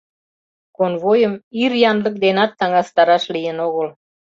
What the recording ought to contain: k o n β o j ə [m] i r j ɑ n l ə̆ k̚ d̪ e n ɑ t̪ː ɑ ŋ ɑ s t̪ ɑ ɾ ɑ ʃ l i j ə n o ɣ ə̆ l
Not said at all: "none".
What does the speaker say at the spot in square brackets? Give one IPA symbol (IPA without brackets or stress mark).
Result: m